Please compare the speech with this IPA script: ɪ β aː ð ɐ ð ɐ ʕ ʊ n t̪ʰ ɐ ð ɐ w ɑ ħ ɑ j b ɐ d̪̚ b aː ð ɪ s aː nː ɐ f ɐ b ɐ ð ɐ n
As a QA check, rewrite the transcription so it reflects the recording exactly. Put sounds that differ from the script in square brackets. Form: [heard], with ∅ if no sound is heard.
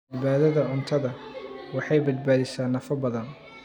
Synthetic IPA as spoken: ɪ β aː ð ɐ ð ɐ ʕ ʊ n t̪ʰ ɐ ð ɐ w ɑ ħ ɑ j b ɐ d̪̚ b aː ð ɪ s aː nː ɐ f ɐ b ɐ ð ɐ n